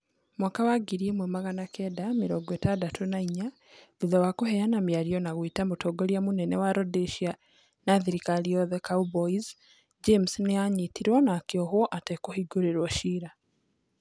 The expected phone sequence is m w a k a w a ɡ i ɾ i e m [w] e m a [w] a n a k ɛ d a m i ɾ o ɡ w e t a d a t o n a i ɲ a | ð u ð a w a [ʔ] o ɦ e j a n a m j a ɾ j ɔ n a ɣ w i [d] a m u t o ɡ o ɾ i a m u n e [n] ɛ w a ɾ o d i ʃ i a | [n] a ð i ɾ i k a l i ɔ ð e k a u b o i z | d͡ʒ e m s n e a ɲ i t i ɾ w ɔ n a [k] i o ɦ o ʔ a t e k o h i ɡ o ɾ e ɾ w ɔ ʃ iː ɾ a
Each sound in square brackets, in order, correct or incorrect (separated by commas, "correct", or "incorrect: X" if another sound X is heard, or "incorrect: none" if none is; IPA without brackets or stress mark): correct, incorrect: ɣ, incorrect: k, incorrect: t, correct, correct, correct